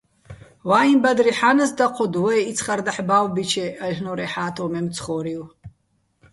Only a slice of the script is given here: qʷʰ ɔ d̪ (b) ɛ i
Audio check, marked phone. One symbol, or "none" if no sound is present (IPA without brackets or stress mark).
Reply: w